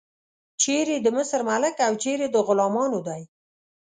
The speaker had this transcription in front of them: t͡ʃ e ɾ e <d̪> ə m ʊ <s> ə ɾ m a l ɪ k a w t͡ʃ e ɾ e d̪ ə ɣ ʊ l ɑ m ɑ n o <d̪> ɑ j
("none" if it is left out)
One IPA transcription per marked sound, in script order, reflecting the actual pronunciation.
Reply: d̪, s, d̪

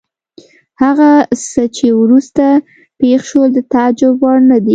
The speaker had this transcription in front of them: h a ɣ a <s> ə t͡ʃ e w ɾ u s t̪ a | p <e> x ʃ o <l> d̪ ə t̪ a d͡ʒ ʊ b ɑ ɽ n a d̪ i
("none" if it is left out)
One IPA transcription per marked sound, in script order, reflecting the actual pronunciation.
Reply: s, e, l

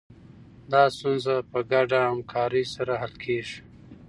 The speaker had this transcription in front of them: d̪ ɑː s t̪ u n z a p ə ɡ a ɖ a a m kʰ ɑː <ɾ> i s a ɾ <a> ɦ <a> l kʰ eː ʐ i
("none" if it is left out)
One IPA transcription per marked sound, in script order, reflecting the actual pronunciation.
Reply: ɾ, a, a

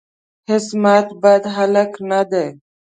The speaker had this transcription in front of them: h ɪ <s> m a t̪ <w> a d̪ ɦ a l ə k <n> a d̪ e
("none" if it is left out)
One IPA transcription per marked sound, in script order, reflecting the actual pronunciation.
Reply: s, b, n

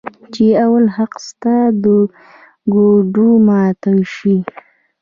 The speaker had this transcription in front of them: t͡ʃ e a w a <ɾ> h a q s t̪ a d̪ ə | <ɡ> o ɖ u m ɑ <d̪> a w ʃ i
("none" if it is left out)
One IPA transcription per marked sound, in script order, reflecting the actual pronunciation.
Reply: l, ɡ, t̪

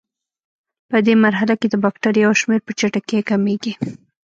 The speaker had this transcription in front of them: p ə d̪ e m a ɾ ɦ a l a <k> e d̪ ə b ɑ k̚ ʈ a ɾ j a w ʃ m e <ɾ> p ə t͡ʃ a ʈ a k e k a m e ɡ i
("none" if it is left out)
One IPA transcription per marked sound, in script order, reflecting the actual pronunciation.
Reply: k, ɾ

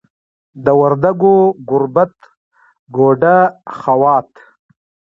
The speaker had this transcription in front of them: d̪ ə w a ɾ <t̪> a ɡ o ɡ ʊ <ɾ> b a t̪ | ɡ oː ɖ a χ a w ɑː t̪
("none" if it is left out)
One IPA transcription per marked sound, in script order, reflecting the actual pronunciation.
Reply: d̪, ɾ

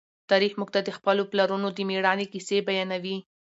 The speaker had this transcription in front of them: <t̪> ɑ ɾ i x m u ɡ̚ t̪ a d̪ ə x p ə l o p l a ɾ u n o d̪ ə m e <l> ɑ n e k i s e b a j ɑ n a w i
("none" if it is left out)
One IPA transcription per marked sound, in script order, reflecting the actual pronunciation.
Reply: t̪, ɽ

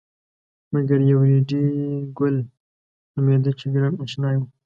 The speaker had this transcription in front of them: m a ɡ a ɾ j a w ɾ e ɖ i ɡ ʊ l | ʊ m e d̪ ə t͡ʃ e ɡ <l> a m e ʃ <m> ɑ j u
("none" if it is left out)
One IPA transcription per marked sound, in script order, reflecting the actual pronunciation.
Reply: ɾ, n

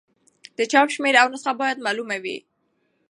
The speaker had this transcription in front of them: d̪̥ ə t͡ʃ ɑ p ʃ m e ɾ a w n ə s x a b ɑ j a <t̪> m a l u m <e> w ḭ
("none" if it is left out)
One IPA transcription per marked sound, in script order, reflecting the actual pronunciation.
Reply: d̪, a

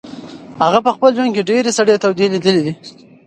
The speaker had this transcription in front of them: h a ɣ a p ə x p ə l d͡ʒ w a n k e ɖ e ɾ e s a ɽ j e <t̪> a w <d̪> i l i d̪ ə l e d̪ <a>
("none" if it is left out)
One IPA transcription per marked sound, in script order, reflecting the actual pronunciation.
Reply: t̪, d̪, i

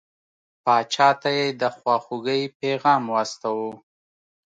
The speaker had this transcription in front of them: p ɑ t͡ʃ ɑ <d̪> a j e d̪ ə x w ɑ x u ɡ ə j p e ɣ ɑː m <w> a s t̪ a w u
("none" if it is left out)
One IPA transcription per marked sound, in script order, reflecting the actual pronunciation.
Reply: t̪, w

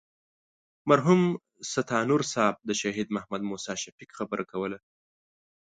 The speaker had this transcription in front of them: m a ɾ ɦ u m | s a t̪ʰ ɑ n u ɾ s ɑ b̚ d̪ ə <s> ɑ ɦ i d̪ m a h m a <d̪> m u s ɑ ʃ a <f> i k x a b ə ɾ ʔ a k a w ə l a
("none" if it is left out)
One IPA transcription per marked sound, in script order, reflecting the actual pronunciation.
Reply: ʃ, d̪, f

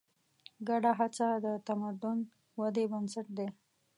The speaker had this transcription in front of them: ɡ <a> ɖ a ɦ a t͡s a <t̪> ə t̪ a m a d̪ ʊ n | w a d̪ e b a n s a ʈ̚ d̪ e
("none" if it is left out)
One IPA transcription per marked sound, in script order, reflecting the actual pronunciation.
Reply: a, d̪

